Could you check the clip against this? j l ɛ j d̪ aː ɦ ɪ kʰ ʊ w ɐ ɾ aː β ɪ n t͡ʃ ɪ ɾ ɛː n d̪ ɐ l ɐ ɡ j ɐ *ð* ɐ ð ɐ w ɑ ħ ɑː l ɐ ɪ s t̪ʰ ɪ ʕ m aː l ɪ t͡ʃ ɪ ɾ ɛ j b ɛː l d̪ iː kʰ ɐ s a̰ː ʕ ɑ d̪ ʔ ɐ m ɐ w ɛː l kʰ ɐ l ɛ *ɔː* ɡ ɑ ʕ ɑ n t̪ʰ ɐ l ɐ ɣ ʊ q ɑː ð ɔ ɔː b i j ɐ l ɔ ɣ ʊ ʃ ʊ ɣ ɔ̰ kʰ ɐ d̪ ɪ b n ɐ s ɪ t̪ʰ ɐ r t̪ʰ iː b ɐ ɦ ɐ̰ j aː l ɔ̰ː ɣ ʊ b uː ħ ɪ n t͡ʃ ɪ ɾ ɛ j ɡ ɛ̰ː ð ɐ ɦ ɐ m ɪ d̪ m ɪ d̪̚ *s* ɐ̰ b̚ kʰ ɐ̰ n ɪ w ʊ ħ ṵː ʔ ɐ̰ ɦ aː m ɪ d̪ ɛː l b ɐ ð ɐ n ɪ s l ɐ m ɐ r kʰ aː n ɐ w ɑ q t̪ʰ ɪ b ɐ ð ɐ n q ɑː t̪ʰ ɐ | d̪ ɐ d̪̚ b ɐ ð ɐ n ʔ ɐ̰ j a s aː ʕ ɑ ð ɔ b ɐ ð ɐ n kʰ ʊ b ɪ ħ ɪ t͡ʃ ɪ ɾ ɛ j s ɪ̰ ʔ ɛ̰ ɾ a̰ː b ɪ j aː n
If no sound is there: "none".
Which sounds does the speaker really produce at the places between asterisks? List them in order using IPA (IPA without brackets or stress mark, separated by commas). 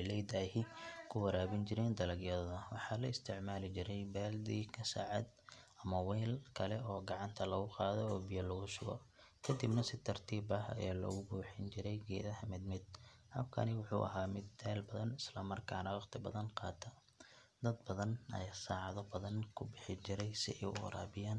ð, ɔː, h